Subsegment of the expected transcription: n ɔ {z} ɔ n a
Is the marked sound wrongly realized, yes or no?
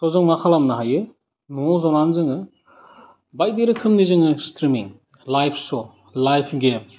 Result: no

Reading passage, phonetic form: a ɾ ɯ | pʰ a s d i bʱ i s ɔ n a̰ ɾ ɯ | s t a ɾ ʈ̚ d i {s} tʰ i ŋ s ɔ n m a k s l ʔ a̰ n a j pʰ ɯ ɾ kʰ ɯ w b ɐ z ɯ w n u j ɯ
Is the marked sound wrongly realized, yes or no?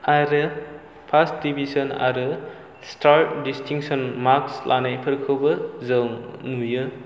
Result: no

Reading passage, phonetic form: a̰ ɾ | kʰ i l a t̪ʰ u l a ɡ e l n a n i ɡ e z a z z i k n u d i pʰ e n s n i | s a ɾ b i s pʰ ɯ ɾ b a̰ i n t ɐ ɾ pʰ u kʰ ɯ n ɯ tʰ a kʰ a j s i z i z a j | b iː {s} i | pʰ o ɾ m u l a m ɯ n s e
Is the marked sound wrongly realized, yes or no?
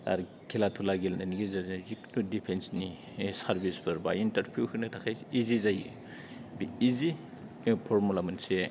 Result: yes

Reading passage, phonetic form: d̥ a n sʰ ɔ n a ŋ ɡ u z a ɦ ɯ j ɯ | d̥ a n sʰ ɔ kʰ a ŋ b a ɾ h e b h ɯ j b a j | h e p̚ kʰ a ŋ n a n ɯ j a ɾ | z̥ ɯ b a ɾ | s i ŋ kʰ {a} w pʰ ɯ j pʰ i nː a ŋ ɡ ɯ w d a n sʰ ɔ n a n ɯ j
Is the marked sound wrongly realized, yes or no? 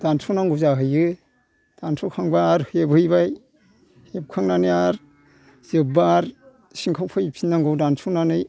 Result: no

